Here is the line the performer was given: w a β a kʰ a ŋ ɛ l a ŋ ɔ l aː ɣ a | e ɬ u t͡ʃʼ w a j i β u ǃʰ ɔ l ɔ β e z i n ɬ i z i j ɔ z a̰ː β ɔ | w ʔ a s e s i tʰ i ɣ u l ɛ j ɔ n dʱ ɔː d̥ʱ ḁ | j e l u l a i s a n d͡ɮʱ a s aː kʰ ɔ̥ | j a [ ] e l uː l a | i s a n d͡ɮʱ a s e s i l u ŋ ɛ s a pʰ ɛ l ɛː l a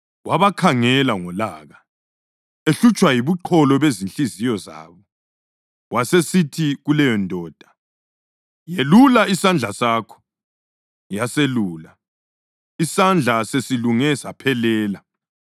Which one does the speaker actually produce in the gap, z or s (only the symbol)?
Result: s